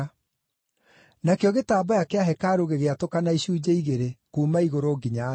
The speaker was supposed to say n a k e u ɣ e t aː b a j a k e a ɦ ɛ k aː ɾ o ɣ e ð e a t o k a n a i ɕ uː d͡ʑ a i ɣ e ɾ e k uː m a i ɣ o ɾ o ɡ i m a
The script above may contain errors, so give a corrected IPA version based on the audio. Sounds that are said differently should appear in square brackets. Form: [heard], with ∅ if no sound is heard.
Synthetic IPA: n a k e [ɔ] ɣ e t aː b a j a k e a ɦ ɛ k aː ɾ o ɣ e [ɣ] e a t o k a n a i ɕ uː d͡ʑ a i ɣ e ɾ e k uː m a i ɣ o ɾ o ɡ i [ɲ] a